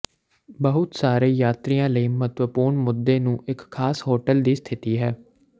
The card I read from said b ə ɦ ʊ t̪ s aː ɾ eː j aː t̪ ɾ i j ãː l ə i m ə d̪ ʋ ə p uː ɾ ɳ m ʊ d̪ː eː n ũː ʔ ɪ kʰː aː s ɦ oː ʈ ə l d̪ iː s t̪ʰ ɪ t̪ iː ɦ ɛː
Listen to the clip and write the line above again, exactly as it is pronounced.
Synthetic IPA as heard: b ə ɦ ʊ t̪ s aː ɾ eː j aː t̪ ɾ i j ãː l ə iː m ə t̪ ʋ ə p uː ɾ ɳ m ʊ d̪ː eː n ũː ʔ ɪ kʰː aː s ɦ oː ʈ ə l d̪ iː s t̪ʰ ɪ t̪ iː ɦ ɛː